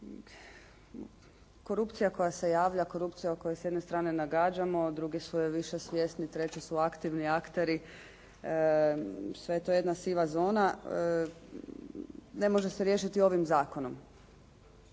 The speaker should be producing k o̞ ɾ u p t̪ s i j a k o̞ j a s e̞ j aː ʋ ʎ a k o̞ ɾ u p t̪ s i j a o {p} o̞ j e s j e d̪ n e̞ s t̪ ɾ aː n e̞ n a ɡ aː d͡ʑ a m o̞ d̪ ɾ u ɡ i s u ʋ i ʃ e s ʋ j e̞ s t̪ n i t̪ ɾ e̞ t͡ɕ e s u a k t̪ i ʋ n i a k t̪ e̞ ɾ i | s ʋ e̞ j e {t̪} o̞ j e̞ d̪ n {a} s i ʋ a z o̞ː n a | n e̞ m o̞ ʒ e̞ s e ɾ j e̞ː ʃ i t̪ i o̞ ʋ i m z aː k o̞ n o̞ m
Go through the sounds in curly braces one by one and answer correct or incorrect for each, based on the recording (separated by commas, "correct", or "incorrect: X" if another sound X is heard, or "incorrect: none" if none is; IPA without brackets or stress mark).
incorrect: k, correct, correct